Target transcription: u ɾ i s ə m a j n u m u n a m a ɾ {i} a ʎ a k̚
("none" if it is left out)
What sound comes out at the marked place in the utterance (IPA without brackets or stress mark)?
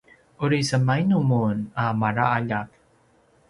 a